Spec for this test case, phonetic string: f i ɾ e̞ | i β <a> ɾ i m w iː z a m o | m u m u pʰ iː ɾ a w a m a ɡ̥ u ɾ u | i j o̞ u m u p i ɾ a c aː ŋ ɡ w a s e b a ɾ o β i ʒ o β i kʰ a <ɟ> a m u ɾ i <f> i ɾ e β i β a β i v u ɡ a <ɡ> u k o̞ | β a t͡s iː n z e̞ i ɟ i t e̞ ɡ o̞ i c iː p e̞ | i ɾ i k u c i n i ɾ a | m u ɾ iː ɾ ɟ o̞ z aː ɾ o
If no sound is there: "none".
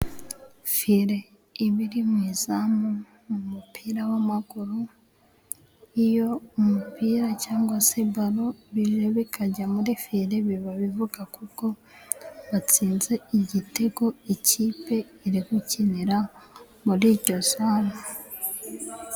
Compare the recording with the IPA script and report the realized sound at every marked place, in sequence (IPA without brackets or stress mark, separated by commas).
i, ɟ, f, k